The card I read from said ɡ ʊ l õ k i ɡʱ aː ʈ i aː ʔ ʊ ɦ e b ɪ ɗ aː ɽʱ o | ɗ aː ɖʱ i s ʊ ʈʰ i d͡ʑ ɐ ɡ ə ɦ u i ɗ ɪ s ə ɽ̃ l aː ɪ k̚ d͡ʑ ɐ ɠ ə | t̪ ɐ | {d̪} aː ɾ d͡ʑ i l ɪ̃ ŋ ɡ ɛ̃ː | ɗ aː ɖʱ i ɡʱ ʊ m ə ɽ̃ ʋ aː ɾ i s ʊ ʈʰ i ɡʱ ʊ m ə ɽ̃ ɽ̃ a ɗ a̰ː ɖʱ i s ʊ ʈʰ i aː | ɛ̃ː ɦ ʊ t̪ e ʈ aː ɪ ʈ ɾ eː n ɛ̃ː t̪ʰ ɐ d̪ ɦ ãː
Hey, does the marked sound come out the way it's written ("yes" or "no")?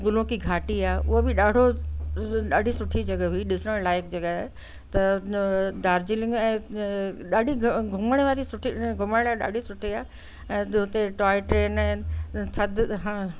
yes